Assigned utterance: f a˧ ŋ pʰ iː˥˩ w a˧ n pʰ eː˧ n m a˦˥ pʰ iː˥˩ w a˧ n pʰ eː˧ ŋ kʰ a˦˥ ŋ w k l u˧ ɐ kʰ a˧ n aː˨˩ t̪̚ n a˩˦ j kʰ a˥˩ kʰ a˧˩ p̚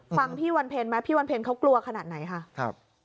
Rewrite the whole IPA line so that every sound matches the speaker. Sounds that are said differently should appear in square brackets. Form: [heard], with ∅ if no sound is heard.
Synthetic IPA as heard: f a˧ ŋ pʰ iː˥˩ w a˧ n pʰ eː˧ n m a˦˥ pʰ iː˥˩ w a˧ n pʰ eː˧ [n] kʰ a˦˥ [∅] w k l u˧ ɐ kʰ a˧ n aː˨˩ t̪̚ n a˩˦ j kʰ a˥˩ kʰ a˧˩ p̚